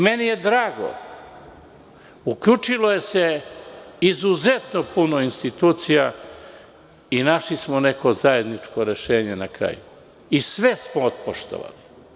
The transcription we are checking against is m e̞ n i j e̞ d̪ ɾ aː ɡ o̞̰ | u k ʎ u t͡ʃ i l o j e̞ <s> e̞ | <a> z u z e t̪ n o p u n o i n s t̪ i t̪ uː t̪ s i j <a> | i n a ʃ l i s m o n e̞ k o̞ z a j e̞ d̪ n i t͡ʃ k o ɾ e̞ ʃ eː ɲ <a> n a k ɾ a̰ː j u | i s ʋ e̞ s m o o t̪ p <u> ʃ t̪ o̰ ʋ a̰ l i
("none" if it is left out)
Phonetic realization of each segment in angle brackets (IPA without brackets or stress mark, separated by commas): s, i, a, e, o